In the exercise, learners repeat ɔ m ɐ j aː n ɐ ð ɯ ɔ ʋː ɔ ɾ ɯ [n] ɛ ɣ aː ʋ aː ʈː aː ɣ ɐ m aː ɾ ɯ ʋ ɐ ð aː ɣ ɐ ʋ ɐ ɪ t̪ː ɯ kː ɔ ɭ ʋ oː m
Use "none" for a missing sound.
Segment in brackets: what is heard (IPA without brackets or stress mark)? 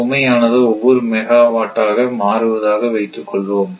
m